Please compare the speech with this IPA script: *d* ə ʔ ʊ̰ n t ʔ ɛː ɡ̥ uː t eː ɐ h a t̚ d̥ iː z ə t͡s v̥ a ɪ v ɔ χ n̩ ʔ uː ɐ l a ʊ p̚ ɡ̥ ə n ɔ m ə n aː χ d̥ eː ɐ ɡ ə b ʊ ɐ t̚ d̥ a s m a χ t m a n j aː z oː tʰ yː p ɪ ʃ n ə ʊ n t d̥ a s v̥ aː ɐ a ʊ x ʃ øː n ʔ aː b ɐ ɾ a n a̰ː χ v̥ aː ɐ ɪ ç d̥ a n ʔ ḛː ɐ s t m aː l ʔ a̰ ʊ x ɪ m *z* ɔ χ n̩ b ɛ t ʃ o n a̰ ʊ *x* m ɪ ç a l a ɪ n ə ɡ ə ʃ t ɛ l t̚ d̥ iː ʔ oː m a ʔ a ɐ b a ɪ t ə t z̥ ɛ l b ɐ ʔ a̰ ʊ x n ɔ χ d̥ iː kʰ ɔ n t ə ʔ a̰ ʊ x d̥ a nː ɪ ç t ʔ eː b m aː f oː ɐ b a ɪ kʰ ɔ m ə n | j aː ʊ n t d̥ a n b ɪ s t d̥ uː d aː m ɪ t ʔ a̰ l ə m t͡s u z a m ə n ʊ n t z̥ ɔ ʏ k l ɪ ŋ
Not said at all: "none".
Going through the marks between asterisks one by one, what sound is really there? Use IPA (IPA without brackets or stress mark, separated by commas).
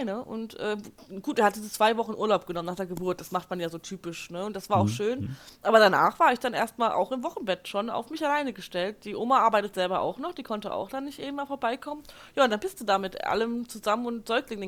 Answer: n, v, f